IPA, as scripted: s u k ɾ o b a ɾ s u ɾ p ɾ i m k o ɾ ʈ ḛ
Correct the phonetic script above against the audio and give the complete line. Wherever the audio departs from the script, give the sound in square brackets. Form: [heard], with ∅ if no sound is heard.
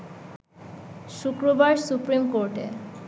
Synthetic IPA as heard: [ʃ] u k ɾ o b a ɾ s u [∅] p ɾ i m k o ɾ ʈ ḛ

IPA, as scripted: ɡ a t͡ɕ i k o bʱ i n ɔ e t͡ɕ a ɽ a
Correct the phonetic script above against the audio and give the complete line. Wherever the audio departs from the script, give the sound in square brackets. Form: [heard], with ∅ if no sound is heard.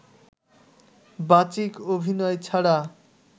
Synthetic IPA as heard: [b] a t͡ɕ i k o bʱ i n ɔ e [t͡ɕʰ] a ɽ a

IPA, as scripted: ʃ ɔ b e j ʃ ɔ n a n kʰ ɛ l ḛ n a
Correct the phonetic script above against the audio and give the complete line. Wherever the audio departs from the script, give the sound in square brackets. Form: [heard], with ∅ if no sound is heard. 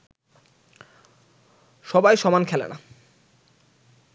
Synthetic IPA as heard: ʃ ɔ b [a] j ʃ ɔ [m] a n kʰ ɛ l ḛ n a

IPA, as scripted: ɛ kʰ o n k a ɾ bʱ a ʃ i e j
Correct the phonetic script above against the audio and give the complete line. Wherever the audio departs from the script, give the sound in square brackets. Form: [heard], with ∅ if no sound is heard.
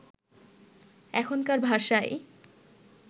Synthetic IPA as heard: ɛ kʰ o n k a ɾ bʱ a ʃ [a] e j

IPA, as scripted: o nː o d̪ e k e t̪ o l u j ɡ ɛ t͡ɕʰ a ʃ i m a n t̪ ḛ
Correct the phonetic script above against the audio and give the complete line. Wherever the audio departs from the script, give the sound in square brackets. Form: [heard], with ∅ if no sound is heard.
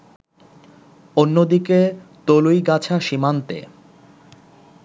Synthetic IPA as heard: o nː o d̪ [i] k e t̪ o l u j ɡ [a] t͡ɕʰ a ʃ i m a n t̪ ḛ

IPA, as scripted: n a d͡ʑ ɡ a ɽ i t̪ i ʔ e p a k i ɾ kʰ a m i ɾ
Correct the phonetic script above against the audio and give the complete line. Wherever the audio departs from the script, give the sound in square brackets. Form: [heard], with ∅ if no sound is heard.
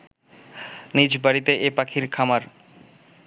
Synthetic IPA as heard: n [i] d͡ʑ [b] a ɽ i t̪ [e] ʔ e p a [kʰ] i ɾ kʰ a m [a] ɾ

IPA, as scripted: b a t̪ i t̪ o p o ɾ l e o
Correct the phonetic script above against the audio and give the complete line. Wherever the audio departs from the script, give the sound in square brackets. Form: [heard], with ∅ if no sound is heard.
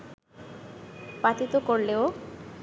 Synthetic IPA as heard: [p] a t̪ i t̪ o [k] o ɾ l e o

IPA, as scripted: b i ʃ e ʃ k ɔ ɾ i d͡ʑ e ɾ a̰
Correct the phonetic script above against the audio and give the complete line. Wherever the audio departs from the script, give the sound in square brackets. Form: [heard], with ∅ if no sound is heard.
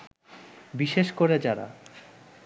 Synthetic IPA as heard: b i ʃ e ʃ k [o] ɾ [e] d͡ʑ [a] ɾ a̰

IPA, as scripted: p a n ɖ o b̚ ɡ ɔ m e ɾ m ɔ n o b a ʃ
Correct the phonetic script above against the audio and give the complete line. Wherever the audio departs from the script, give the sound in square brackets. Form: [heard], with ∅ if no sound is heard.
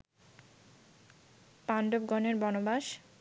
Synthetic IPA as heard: p a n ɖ o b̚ ɡ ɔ [n] e ɾ [b] ɔ n o b a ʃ

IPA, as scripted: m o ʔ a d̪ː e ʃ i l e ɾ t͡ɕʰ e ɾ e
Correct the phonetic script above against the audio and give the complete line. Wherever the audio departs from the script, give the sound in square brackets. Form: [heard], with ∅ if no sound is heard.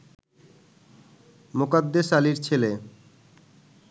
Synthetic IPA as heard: m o [k] a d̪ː e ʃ [a] l [i] ɾ t͡ɕʰ e [l] e

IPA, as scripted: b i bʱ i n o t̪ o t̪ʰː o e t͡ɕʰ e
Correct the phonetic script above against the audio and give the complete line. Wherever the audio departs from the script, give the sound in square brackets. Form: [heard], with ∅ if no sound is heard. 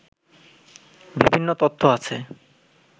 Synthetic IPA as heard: b i bʱ i [nː] o t̪ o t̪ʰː o [a] t͡ɕʰ e

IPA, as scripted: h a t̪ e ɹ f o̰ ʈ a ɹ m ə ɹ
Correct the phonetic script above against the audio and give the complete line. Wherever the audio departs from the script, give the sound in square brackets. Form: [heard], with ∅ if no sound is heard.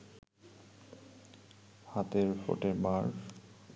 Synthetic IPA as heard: h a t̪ e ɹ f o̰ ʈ [e] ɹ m [a] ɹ

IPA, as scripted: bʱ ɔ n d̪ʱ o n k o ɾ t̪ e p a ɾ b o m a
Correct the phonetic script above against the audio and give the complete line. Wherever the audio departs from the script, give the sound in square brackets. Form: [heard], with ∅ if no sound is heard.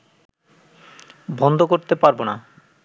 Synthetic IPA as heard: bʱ ɔ n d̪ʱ o [∅] k o ɾ t̪ e p a ɾ b o [n] a

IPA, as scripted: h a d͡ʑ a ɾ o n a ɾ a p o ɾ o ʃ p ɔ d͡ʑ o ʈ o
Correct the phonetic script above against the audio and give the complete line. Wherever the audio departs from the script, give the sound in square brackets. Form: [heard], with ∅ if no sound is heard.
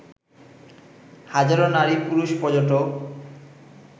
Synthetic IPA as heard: h a d͡ʑ a ɾ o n a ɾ [i] p [u] ɾ [u] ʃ p ɔ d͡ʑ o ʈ o

